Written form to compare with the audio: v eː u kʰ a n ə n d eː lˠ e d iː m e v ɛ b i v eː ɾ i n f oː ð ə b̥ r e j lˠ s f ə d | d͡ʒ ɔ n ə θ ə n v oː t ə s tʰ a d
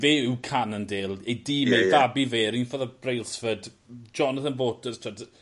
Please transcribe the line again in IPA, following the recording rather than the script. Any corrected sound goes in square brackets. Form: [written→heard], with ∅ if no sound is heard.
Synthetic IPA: v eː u kʰ a n ə n d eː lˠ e d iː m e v [ɛ→a] b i v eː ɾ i n f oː ð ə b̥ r e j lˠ s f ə d | d͡ʒ ɔ n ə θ ə n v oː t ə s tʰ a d